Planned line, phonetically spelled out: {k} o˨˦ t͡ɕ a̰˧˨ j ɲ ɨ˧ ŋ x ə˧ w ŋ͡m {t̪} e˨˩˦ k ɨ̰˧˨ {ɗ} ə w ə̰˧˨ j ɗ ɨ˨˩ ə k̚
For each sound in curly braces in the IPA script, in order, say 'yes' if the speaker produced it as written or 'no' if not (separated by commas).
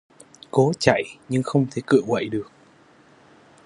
yes, no, no